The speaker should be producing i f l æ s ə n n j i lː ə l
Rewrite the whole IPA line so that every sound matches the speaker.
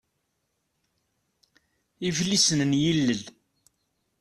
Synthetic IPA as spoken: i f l i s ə n n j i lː ə l